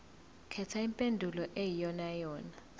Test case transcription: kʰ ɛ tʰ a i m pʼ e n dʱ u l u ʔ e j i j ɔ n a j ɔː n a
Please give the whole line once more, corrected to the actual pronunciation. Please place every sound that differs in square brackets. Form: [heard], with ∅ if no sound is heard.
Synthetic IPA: kʰ ɛ tʰ a i m pʼ e n dʱ u l [ɔ] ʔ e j i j ɔ n a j ɔː n a